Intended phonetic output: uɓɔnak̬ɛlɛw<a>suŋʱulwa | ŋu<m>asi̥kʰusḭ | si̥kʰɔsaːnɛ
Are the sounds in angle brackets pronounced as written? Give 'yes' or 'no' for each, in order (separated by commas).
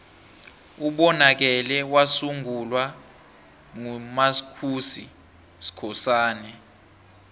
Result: yes, yes